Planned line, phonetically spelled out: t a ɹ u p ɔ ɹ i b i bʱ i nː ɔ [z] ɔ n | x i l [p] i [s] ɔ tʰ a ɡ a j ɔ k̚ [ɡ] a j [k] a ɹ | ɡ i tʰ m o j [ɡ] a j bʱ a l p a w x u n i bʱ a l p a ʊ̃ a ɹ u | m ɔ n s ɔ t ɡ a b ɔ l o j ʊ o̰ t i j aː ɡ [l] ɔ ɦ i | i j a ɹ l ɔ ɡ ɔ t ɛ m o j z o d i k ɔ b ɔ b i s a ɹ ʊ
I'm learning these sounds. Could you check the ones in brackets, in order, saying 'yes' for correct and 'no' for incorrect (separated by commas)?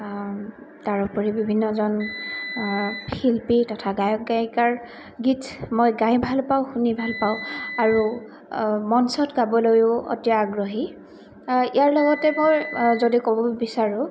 yes, yes, no, yes, yes, yes, no